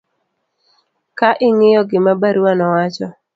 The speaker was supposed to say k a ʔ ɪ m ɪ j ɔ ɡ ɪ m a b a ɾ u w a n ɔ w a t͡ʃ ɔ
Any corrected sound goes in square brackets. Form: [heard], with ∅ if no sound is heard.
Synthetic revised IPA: k a ʔ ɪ [ŋ] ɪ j ɔ ɡ ɪ m a b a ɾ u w a n ɔ w a t͡ʃ ɔ